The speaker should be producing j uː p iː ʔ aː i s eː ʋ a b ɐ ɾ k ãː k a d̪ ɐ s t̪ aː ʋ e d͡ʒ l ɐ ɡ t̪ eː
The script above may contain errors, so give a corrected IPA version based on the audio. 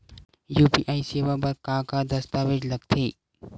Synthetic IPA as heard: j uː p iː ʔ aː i s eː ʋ a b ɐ ɾ k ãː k a d̪ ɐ s t̪ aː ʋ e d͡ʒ l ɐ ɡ t̪ʰ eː